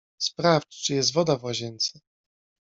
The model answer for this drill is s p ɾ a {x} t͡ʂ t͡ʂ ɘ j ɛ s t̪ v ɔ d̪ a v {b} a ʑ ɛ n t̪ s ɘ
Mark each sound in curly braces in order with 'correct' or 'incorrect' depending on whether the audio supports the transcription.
incorrect: f, incorrect: w

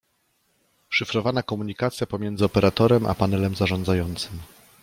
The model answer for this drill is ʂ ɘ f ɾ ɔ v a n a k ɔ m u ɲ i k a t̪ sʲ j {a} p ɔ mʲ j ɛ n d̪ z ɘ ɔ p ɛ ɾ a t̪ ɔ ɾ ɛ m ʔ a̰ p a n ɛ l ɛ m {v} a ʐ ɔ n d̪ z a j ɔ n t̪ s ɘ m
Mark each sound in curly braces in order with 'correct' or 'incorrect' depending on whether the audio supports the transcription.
correct, incorrect: z

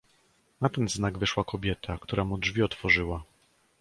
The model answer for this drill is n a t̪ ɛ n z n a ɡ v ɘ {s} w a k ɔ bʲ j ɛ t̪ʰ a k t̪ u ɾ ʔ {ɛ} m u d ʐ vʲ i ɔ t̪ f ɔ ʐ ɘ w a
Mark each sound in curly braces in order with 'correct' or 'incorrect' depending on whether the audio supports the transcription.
incorrect: ʂ, incorrect: a

